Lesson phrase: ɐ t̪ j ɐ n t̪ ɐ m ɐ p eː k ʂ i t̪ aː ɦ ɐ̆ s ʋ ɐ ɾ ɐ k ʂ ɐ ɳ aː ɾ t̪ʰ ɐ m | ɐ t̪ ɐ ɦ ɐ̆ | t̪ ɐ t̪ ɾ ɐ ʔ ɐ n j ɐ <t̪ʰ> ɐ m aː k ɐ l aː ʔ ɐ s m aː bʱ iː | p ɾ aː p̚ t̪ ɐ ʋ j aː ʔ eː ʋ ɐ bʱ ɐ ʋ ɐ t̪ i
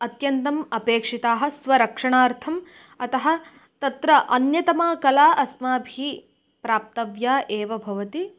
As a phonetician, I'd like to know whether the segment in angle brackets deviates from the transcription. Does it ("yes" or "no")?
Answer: yes